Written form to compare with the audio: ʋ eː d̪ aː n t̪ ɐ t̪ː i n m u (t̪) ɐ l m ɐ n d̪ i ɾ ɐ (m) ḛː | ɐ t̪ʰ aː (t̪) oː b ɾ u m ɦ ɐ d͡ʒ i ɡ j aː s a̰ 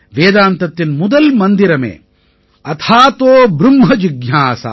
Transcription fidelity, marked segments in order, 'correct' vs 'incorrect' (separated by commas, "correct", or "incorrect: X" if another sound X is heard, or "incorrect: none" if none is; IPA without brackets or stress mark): incorrect: d̪, correct, correct